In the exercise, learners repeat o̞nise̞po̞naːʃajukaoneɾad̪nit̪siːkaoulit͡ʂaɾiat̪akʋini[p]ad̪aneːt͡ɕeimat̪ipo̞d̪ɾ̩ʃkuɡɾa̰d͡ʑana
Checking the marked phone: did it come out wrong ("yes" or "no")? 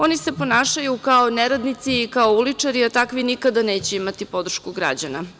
yes